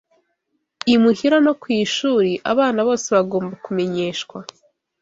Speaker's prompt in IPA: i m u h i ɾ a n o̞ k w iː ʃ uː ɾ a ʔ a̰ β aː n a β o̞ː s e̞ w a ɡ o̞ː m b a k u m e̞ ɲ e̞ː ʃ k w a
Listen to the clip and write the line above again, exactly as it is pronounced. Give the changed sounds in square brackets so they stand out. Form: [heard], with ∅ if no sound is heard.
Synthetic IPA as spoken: i m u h i ɾ a n o̞ k w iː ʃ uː ɾ [i] ʔ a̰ β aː n a β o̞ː s e̞ [β] a ɡ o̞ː m b a k u m e̞ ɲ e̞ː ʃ k w a